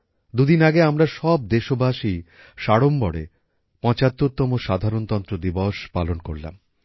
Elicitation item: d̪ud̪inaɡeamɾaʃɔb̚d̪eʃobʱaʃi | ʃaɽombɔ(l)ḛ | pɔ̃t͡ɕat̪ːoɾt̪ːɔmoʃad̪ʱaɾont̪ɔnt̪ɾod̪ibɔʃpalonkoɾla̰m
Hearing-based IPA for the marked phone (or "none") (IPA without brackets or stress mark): ɽ